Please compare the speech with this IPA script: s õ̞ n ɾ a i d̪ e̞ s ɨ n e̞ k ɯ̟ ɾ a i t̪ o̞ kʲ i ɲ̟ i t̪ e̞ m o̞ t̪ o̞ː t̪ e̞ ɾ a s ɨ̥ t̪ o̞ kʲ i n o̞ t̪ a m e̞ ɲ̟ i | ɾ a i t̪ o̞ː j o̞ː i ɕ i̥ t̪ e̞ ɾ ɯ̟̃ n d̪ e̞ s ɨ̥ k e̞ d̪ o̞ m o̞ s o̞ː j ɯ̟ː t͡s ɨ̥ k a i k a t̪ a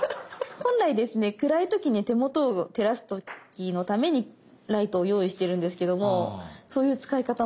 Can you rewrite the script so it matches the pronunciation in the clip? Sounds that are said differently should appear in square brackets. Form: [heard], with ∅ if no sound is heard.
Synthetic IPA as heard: [h] õ̞ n ɾ a i d̪ e̞ s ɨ n e̞ k ɯ̟ ɾ a i t̪ o̞ kʲ i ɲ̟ i t̪ e̞ m o̞ t̪ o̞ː t̪ e̞ ɾ a s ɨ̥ t̪ o̞ kʲ i n o̞ t̪ a m e̞ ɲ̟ i | ɾ a i t̪ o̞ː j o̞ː i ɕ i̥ t̪ e̞ ɾ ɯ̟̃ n d̪ e̞ s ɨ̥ k e̞ d̪ o̞ m o̞ s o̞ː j ɯ̟ː t͡s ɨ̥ k a i k a t̪ a